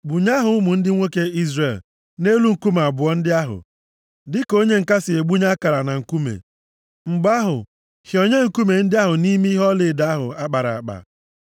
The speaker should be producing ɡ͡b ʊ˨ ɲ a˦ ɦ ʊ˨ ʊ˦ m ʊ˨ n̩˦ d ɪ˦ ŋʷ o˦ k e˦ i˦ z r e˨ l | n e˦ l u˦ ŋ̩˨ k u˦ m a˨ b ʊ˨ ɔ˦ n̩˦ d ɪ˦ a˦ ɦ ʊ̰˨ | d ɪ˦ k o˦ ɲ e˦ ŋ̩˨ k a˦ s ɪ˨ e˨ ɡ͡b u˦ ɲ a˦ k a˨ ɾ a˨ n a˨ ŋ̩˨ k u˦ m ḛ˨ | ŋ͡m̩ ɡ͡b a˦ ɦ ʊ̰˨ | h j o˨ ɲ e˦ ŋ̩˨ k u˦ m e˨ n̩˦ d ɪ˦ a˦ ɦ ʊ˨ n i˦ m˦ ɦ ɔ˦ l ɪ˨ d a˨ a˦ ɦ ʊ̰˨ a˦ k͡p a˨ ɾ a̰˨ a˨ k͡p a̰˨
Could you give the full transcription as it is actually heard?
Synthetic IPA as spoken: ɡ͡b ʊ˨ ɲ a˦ ɦ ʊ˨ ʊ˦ m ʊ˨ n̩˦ d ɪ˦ ŋʷ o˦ k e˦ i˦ z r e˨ l | n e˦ l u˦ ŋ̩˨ k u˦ m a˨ b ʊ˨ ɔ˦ n̩˦ d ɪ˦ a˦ ɦ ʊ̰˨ | d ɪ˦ k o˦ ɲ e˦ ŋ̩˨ k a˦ s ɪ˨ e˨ ɡ͡b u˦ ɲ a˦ k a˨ ɾ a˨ n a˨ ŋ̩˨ k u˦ m ḛ˨ | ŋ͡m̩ ɡ͡b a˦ ɦ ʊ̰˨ | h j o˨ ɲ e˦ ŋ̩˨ k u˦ m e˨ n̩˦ d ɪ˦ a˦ ɦ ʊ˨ n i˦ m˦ ɦ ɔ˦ l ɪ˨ d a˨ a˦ ɦ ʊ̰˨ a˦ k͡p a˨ ɾ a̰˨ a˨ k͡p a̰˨